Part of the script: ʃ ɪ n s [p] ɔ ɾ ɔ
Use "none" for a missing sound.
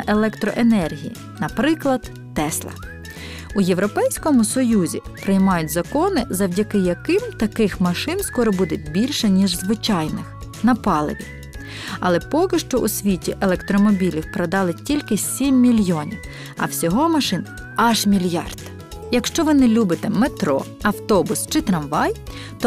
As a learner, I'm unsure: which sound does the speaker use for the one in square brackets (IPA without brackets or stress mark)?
k